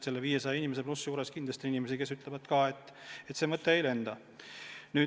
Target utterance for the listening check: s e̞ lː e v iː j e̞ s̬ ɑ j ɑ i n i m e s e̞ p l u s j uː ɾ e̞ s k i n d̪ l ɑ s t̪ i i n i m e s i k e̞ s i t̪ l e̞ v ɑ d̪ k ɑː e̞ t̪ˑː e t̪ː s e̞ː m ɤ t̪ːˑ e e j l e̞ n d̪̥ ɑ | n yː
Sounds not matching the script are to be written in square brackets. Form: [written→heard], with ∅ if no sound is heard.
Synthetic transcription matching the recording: s e̞ lː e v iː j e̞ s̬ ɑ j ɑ i n i m e s e̞ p l u s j uː ɾ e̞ s k i n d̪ l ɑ s t̪ i i n i m e s i k e̞ s [i→y] t̪ l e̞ v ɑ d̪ k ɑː e̞ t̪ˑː e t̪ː s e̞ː m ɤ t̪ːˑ e e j l e̞ n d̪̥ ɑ | n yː

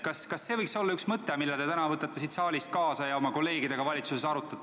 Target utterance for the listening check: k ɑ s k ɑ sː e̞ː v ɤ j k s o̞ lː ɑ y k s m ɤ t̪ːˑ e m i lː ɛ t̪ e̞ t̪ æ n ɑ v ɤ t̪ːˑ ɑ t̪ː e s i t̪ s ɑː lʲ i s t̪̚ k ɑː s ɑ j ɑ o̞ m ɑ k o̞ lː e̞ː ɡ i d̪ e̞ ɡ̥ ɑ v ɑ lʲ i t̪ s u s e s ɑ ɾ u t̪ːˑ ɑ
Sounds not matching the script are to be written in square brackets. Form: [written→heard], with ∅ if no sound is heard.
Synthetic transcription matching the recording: k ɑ s k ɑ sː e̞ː v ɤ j k s o̞ lː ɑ y k s m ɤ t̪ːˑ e m i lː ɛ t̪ e̞ t̪ æ n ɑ v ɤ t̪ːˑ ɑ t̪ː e s i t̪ s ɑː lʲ i s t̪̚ k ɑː s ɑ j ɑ o̞ m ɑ k o̞ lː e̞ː ɡ i d̪ e̞ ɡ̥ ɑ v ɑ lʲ i t̪ s u s e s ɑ ɾ u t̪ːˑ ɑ

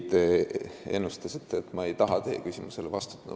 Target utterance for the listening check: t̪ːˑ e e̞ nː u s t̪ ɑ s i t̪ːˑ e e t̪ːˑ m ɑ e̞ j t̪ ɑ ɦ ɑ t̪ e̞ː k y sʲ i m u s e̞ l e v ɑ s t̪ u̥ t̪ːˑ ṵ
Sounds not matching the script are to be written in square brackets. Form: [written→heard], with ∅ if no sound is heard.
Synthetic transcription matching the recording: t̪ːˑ e e̞ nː u s t̪ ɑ s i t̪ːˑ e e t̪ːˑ m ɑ e̞ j t̪ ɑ ɦ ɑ t̪ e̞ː k y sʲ i m u s e̞ l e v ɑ s t̪ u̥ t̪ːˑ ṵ

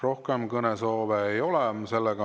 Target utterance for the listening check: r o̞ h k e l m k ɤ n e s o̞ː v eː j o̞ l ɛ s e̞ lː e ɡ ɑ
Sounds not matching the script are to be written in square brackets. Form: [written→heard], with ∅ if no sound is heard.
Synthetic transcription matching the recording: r o̞ h k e [l→∅] m k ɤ n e s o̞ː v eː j o̞ l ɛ s e̞ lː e ɡ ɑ

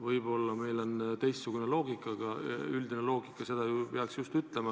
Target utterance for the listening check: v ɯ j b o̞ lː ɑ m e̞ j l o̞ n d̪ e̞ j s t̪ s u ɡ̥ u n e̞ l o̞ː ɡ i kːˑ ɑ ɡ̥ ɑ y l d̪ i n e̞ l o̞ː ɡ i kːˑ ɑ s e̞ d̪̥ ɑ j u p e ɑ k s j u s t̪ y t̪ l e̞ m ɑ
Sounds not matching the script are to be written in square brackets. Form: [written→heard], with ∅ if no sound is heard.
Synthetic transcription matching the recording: v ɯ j b o̞ lː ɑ m e̞ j l o̞ n [d̪→t̪] e̞ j s t̪ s u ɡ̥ u n e̞ l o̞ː ɡ i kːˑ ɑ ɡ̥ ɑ y l d̪ i n e̞ l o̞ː ɡ i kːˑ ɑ s e̞ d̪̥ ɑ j u p e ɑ k s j u s t̪ y t̪ l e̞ m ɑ

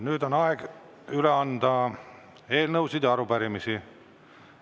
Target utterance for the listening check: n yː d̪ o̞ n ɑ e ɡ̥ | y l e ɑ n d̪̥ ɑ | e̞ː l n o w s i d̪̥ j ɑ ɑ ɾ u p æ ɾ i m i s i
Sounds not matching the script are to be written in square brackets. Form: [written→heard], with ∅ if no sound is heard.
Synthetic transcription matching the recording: n yː d̪ o̞ n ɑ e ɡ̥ | y l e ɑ n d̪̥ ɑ | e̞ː l n [o→ɤ] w s i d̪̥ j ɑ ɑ ɾ u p æ ɾ i m i s i

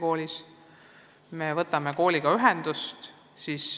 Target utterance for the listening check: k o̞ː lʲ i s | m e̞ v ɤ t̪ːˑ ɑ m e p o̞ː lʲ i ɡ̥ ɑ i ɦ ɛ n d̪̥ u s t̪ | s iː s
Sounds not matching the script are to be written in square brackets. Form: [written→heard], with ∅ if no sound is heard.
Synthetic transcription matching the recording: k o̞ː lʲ i s | m e̞ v ɤ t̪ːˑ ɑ m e [p→k] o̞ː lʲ i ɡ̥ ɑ [i→y] ɦ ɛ n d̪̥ u s t̪ | s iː s

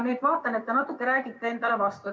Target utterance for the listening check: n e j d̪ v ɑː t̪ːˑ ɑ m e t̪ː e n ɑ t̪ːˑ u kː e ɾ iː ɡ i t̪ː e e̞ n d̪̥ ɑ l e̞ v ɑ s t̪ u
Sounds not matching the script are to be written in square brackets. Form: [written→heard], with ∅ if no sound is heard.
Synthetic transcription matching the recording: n e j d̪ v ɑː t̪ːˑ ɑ [m→n] e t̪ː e n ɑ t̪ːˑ u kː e ɾ [iː→æː] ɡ i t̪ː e e̞ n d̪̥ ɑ l e̞ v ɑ s t̪ u

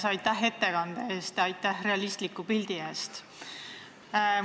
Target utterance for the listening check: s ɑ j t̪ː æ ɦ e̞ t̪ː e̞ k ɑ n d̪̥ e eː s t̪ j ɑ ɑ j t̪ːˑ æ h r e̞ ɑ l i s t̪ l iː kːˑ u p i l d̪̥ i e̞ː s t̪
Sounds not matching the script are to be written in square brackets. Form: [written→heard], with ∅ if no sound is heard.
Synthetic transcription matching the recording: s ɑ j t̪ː æ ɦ e̞ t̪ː e̞ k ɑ n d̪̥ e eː s t̪ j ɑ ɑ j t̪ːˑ æ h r e̞ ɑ l i s t̪ l [iː→i] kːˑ u p i l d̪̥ i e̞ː s t̪

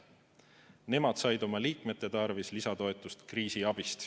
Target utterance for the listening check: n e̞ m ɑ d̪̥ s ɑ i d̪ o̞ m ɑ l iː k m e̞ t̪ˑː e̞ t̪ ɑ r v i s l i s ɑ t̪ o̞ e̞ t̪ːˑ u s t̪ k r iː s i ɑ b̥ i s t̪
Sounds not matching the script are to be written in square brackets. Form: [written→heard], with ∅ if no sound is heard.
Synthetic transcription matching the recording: n e̞ m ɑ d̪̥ s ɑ [i→j] d̪ o̞ m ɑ l iː k m e̞ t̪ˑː e̞ t̪ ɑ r v i s l i s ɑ t̪ o̞ e̞ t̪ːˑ u s t̪ k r iː s i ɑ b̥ i s t̪

